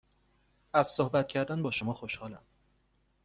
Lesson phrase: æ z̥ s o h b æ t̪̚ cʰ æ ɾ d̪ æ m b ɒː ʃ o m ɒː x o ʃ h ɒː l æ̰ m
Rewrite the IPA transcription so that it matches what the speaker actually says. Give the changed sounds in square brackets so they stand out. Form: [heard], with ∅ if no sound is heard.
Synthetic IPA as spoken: æ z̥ s o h b æ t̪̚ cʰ æ ɾ d̪ æ [n] b ɒː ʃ o m ɒː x o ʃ h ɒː l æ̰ m